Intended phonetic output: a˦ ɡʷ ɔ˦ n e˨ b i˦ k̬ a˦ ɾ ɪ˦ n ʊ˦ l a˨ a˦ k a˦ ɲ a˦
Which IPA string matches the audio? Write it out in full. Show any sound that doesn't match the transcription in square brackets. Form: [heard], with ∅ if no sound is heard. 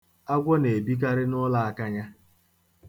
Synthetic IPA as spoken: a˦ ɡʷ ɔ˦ n e˨ b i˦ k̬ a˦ ɾ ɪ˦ n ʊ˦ l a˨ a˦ k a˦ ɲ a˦

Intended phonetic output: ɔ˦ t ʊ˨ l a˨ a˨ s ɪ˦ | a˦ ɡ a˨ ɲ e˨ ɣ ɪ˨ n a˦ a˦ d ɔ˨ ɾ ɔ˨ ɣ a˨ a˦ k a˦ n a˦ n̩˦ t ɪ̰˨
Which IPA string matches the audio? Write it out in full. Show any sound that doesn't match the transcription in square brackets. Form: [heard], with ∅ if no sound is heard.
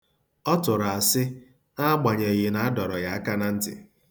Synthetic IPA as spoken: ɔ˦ t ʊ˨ [ɾ] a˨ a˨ s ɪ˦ | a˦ [ɡ͡b] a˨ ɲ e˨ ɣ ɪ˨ n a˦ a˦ d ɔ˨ ɾ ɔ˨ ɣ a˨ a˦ k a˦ n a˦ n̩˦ t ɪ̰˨

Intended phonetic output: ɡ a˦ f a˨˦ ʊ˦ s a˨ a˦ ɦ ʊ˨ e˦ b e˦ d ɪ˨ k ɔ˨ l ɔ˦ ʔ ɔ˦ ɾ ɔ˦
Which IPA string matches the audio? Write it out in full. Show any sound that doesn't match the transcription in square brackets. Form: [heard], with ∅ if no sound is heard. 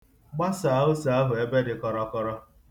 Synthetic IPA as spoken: [ɡ͡b] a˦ [s] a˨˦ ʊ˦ s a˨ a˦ ɦ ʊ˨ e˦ b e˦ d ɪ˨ k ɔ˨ [ɾ] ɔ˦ [k] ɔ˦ ɾ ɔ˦

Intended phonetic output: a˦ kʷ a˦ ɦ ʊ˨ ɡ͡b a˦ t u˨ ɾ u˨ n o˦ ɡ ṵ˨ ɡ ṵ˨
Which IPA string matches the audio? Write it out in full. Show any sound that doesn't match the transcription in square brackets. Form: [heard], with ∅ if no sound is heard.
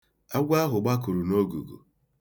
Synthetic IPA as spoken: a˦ [ɡʷ] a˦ ɦ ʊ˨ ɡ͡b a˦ [k] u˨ ɾ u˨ n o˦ ɡ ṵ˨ ɡ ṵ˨

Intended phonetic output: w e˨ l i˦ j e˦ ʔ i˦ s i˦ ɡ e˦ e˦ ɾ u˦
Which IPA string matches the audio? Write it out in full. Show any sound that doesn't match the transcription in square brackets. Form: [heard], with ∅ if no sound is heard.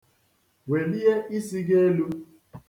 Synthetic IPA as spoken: w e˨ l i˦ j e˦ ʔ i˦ s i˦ ɡ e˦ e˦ [l] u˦

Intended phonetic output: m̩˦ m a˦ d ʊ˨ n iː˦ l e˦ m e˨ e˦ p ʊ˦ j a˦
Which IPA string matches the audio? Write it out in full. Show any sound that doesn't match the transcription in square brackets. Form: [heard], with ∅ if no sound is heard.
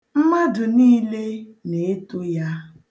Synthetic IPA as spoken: m̩˦ m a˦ d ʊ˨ n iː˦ l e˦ [n] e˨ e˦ [t] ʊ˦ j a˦

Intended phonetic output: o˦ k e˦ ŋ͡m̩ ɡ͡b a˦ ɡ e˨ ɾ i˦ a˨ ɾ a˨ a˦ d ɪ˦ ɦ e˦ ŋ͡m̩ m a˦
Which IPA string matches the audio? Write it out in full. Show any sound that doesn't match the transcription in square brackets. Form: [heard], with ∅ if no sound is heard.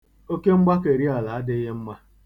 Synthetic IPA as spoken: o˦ k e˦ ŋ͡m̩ ɡ͡b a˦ [k] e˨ ɾ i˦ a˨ [l] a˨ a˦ d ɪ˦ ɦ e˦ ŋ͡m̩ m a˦

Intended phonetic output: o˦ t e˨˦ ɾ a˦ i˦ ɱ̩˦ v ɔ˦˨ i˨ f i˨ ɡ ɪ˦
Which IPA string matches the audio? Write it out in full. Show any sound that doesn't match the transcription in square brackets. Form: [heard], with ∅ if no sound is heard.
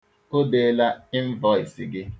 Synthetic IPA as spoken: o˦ [d] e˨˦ [l] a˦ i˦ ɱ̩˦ v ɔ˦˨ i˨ [s] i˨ ɡ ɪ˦

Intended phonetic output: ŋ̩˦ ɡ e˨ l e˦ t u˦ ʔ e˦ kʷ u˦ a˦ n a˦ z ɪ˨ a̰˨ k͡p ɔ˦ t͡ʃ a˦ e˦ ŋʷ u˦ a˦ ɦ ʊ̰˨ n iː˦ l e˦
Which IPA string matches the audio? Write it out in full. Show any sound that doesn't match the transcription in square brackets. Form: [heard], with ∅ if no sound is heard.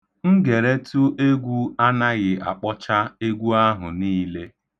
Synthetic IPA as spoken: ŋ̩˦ ɡ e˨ [ɾ] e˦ t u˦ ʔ e˦ [ɡʷ] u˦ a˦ n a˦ [ɣ] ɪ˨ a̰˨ k͡p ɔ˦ t͡ʃ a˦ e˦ [ɡʷ] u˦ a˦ ɦ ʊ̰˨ n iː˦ l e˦

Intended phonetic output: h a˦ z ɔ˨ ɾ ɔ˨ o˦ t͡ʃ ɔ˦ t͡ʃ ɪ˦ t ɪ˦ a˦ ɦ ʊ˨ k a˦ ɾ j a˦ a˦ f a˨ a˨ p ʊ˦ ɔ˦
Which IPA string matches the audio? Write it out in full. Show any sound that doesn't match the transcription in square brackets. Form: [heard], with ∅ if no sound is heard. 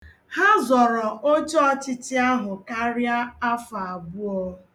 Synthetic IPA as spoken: h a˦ z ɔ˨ ɾ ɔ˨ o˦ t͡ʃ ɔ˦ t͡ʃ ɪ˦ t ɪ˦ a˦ ɦ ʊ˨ k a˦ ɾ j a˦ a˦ f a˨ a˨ [b] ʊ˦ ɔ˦

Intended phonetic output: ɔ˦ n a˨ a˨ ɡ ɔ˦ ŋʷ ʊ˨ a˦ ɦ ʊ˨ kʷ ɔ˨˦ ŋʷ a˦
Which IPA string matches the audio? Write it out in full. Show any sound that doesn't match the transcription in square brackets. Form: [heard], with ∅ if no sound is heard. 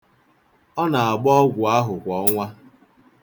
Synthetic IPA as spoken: ɔ˦ n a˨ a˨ [ɡ͡b] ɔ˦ [ɡʷ] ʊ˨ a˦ ɦ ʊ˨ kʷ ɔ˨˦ ŋʷ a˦

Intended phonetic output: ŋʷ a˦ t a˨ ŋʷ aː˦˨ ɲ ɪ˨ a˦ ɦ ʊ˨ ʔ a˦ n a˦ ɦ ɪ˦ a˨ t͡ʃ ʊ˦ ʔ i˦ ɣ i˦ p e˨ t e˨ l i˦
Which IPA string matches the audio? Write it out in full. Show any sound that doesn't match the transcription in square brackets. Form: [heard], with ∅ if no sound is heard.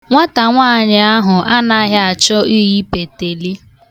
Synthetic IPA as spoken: ŋʷ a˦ t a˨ ŋʷ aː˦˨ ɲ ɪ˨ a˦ ɦ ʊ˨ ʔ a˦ n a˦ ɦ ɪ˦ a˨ t͡ʃ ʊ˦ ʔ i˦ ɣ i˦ p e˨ t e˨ l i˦

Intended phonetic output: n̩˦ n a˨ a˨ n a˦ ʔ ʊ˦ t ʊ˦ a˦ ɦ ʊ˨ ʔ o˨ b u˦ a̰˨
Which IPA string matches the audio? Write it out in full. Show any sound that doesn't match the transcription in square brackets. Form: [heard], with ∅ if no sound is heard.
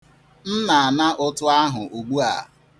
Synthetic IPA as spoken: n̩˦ n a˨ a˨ n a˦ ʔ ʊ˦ t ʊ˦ a˦ ɦ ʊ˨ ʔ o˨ [ɡ͡b] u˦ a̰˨

